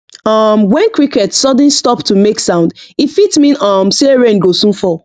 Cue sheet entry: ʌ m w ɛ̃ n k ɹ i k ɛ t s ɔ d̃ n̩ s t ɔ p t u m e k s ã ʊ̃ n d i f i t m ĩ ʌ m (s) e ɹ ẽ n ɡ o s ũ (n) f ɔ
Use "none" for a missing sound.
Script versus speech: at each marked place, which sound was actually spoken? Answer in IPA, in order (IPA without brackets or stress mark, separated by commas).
s, n